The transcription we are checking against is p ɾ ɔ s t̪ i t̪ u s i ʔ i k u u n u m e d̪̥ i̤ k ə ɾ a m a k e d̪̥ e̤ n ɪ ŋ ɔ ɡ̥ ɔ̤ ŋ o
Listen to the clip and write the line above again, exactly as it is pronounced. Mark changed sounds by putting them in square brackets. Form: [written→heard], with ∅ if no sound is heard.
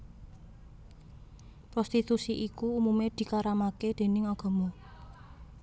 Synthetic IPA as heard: p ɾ ɔ s t̪ i t̪ u s i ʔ i k u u [n→m] u m e d̪̥ i̤ k [ə→a] ɾ a m a k e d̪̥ e̤ n ɪ ŋ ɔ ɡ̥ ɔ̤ [ŋ→m] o